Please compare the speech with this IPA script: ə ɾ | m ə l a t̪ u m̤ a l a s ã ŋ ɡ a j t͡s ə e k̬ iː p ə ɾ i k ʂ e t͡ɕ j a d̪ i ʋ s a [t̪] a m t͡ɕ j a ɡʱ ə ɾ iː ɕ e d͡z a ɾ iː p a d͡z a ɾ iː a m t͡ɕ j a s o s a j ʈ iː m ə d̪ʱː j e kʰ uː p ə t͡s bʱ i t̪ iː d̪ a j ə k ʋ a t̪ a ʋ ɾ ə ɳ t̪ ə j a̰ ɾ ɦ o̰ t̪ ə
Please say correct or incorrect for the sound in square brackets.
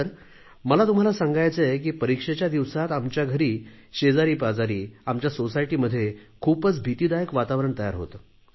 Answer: correct